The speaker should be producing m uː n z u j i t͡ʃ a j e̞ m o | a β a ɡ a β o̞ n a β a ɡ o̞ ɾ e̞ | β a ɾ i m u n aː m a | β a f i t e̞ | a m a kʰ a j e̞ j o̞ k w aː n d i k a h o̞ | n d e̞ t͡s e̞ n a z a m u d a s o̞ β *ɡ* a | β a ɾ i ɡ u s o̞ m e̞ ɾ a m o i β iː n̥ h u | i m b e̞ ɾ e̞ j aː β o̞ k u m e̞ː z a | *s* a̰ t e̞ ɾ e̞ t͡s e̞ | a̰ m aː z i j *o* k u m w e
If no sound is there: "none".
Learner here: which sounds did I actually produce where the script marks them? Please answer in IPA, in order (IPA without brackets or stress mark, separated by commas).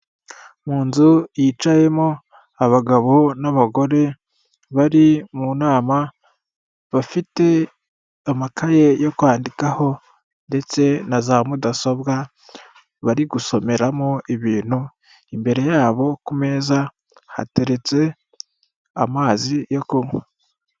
ɡ, h, o